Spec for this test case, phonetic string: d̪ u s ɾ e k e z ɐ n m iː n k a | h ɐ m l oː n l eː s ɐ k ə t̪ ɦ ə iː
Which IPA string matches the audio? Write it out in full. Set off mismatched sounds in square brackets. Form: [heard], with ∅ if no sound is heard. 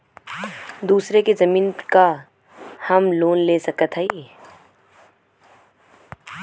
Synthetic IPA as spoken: d̪ [uː] s ɾ e k e z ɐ [∅] m iː n k a | h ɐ m l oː n l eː s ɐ k ə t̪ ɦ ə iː